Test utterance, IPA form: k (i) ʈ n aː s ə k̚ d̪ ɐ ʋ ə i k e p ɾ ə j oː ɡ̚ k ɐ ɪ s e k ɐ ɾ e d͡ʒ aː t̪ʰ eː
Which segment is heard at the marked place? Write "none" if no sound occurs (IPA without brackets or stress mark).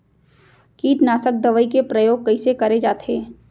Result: iː